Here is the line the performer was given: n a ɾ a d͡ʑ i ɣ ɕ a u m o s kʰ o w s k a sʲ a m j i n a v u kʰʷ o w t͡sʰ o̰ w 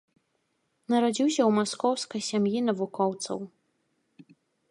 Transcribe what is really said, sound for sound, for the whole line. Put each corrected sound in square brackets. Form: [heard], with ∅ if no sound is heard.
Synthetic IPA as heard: n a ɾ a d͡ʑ i [w] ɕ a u m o s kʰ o w s k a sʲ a m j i n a v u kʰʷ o w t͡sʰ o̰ w